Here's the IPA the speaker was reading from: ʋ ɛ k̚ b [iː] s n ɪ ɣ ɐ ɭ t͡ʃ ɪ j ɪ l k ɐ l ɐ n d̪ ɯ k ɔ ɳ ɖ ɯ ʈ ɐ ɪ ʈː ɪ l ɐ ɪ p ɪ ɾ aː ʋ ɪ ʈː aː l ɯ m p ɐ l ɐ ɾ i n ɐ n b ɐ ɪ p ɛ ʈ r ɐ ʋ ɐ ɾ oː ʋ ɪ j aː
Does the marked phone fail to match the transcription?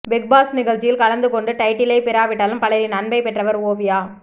yes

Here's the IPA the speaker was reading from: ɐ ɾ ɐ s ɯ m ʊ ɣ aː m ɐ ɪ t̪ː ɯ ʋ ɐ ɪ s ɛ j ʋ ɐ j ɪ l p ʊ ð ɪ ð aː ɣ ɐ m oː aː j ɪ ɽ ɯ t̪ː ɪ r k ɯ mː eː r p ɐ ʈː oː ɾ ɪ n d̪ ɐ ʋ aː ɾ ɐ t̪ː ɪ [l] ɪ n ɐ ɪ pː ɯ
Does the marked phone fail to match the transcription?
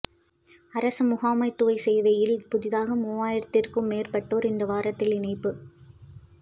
no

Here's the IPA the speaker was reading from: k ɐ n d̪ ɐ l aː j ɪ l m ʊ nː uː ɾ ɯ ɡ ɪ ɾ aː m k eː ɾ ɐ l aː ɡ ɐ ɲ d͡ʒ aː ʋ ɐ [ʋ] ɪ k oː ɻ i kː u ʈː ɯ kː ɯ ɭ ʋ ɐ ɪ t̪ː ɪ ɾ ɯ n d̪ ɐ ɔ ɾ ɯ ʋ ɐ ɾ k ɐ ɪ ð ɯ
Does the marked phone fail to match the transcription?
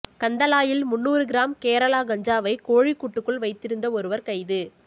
yes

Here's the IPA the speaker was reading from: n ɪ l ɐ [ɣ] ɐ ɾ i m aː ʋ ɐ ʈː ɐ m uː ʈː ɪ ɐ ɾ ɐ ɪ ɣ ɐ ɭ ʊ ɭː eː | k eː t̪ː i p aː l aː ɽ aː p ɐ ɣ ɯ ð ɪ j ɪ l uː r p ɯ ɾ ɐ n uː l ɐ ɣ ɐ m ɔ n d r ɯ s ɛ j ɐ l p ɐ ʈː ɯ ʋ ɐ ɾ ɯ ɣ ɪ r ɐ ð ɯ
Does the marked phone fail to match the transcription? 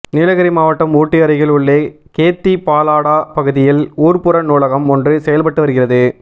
no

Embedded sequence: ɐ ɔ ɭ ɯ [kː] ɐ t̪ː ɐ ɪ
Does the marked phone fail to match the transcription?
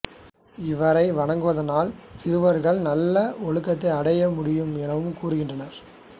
no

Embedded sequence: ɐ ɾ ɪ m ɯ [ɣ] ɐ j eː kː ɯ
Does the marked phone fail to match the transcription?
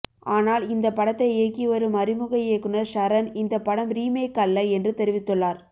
no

